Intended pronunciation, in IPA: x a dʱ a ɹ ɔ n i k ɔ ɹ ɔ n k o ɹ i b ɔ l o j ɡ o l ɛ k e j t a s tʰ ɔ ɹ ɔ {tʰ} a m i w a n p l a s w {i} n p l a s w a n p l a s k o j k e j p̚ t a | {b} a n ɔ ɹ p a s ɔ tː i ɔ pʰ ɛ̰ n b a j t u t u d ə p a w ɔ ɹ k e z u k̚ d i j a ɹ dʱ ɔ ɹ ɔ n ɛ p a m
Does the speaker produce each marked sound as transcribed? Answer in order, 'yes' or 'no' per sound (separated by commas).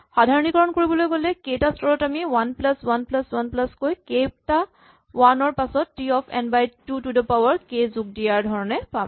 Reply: no, no, no